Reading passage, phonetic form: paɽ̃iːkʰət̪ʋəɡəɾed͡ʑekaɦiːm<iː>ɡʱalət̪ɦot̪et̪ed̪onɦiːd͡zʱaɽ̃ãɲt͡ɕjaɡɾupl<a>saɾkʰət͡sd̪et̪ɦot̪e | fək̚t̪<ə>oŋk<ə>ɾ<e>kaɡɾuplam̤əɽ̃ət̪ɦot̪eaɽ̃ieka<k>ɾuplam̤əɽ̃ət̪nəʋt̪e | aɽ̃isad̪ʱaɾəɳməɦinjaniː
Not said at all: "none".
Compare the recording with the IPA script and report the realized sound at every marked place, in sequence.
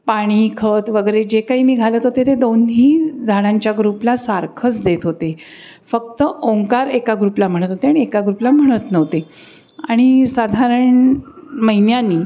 iː, a, ə, a, e, ɡ

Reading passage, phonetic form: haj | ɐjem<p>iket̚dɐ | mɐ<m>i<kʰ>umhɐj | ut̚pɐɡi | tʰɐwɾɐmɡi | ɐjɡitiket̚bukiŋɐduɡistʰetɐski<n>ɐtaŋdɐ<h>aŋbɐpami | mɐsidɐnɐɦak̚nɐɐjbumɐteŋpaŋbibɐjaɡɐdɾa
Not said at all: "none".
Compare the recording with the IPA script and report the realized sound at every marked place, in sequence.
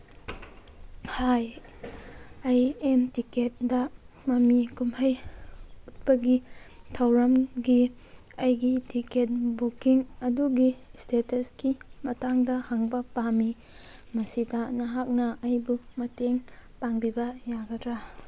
t, m, k, m, h

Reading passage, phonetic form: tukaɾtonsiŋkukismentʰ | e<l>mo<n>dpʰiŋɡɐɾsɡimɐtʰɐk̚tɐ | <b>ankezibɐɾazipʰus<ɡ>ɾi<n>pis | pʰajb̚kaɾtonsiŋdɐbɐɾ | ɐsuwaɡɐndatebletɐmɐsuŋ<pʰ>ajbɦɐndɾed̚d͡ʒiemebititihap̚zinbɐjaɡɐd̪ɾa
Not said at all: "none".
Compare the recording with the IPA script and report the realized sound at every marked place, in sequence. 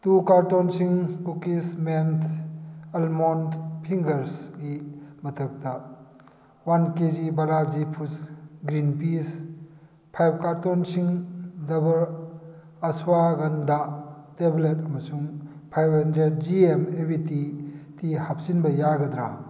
l, n, w, ɡ, n, pʰ

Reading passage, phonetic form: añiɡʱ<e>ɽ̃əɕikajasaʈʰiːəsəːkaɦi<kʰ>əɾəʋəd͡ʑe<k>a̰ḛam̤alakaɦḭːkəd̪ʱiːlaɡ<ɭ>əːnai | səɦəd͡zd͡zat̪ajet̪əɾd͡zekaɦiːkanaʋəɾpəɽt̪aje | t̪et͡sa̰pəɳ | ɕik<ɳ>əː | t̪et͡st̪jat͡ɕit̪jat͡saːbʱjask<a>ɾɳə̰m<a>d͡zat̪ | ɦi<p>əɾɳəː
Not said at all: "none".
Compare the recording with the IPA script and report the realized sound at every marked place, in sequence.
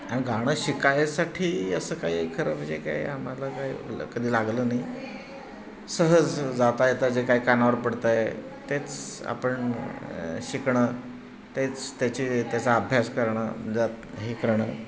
a, kʰ, k, l, ɳ, ə, ə, k

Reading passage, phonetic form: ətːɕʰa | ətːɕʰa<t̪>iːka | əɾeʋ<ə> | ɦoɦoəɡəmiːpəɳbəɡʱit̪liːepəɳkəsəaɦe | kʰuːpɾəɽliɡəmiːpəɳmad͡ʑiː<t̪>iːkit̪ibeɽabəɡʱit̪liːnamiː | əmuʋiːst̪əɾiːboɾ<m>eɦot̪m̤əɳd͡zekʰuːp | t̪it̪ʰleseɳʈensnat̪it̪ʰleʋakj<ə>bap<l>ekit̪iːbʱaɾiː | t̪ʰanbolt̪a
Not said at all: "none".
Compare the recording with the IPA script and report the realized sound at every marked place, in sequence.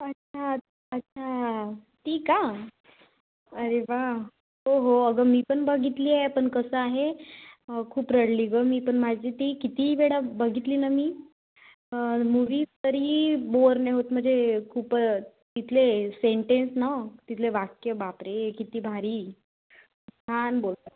t̪, a, t̪, n, ə, ɾ

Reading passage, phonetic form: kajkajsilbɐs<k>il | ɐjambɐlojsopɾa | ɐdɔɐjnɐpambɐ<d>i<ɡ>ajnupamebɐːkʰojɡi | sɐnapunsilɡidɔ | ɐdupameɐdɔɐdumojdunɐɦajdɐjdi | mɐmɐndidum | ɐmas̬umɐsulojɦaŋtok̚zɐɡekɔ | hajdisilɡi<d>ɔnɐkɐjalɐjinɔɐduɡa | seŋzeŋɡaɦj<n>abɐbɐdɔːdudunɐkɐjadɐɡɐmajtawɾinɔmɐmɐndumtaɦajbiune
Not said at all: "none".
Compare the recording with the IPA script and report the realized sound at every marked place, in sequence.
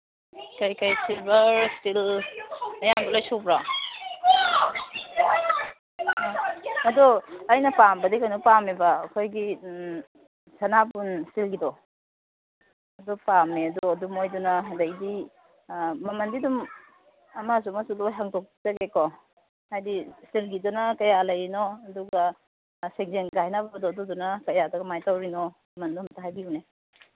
t, d, k, d, n

